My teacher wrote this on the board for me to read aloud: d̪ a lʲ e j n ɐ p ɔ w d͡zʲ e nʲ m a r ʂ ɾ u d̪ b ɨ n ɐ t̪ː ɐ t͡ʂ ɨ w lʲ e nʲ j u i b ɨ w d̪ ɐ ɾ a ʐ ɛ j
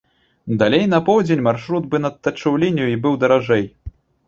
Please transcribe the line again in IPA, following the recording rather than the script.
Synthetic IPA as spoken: d̪ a lʲ e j n ɐ p ɔ w d͡zʲ e nʲ m a r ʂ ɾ u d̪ b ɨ n ɐ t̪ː ɐ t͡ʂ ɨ w lʲ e nʲ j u i b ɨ w d̪ ɐ ɾ a ʐ ɛ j